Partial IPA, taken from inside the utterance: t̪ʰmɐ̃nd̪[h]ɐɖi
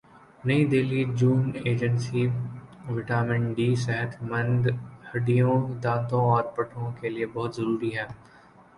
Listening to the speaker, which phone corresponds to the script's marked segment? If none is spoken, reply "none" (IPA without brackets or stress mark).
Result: h